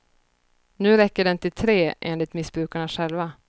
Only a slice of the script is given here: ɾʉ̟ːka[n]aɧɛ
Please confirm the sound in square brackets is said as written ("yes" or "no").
no